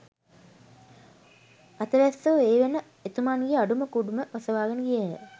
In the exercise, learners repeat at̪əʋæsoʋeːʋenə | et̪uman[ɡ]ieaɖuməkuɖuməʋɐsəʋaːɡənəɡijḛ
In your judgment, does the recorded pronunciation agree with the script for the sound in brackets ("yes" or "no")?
yes